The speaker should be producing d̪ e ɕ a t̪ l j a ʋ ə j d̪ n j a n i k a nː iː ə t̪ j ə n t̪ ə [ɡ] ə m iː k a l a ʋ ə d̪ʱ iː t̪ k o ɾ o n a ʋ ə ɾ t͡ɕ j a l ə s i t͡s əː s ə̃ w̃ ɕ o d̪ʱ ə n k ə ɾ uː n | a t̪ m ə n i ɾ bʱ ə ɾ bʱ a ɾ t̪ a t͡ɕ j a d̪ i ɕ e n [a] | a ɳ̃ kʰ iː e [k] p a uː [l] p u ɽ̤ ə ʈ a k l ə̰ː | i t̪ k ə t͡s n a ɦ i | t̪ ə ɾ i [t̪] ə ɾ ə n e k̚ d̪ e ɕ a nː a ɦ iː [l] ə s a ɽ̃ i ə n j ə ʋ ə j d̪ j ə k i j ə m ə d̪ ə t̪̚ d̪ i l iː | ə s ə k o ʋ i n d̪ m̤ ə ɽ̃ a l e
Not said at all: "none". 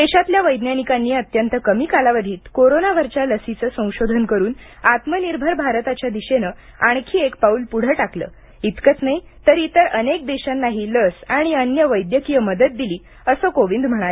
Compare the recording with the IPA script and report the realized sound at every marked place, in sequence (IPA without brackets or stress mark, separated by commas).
k, ə, k, l, t̪, l